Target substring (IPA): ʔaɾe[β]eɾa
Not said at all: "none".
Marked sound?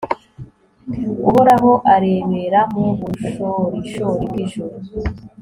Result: β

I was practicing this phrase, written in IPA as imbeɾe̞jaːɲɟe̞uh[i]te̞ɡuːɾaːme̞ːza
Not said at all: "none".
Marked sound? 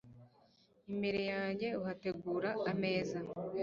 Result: a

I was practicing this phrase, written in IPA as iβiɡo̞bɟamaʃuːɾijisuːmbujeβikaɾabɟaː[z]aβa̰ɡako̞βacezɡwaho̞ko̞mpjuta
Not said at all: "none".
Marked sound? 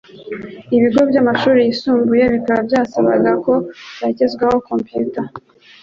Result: s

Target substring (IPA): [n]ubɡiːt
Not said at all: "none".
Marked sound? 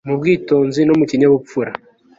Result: m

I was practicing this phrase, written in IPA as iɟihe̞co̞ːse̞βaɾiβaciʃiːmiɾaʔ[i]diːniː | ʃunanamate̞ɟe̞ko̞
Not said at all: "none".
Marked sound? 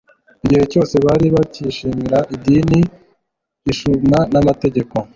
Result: i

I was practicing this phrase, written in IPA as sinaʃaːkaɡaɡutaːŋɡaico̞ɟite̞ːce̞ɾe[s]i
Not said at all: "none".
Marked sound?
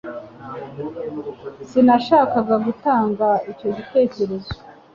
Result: z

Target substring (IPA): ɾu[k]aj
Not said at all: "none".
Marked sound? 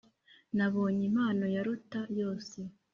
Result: t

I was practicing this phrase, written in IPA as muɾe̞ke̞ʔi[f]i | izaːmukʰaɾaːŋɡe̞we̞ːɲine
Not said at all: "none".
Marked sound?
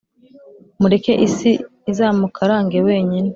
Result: s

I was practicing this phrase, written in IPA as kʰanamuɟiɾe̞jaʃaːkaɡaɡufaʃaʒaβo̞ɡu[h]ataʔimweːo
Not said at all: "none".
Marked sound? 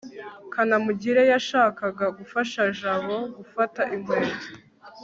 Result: f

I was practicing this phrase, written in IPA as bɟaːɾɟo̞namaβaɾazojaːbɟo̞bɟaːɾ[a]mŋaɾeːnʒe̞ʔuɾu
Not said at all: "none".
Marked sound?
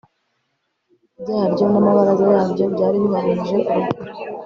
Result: i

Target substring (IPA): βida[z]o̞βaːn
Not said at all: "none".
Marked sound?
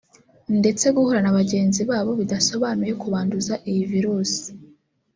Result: s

